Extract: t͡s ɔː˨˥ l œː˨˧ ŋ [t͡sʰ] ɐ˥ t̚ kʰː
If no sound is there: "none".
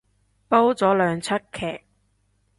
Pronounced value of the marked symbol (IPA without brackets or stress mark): t͡sʰ